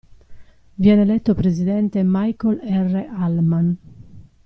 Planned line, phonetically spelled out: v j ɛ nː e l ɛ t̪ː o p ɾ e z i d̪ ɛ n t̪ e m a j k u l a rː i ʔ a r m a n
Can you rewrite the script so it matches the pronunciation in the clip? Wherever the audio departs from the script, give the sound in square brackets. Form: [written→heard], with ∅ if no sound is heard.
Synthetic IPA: v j ɛ [nː→n] e l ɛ t̪ː o p ɾ e z i d̪ ɛ n t̪ e m a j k [u→o] l [a→ɛ] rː [i→e] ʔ a [r→l] m a n